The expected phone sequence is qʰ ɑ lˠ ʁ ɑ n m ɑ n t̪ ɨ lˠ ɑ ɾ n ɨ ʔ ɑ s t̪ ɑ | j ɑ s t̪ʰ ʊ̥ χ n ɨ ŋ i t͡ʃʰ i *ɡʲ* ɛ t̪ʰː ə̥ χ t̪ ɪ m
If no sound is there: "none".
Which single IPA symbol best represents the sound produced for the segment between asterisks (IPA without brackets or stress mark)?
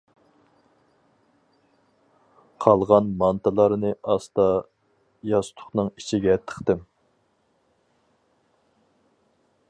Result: ɡʲ